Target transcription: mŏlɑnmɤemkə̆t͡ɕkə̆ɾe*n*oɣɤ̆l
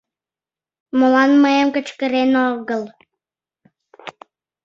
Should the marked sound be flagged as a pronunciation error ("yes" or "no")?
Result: no